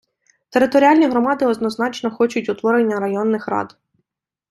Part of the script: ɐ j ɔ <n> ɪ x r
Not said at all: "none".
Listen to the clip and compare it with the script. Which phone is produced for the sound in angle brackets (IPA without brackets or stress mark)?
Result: nː